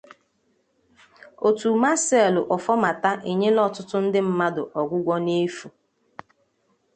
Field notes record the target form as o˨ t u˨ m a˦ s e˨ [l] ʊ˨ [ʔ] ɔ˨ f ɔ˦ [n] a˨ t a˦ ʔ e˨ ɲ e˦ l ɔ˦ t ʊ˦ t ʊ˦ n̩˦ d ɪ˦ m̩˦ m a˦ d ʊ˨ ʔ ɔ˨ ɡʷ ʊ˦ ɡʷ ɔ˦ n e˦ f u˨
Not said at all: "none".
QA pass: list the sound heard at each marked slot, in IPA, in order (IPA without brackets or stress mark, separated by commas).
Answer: l, ʔ, m